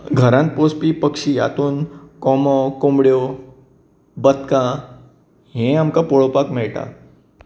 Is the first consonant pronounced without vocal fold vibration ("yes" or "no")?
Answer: no